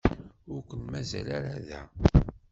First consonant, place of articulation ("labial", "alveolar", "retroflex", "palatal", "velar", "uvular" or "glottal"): alveolar